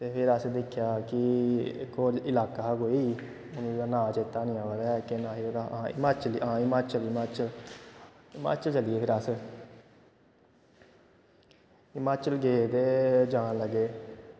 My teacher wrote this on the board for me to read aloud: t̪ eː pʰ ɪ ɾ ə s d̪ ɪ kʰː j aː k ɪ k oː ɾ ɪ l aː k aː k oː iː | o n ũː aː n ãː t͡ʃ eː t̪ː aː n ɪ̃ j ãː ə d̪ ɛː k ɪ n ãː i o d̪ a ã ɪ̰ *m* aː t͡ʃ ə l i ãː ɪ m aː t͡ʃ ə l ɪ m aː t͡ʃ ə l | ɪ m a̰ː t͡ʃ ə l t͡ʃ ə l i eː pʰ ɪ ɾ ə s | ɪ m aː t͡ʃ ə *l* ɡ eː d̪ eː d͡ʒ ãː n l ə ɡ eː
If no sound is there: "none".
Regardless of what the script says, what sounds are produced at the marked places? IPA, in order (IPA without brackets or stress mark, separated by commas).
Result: m, l